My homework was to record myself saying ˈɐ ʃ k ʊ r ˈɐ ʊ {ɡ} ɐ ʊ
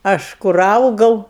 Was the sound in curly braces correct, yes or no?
yes